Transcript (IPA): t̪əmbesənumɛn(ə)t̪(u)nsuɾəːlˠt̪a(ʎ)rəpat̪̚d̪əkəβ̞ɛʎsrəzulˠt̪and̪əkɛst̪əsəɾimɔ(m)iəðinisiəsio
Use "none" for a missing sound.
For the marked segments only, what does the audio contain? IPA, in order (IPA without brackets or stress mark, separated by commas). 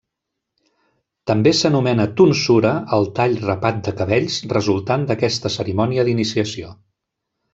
ə, u, ʎ, n